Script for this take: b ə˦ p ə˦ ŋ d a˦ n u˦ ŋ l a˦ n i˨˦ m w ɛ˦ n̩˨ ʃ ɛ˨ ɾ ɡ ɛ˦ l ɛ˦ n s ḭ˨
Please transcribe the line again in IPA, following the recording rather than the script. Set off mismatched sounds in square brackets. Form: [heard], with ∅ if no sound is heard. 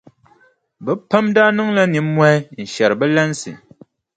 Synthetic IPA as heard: b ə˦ p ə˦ [m] d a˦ n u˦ ŋ l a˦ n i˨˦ m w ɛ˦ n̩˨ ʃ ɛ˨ ɾ [b] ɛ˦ l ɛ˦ n s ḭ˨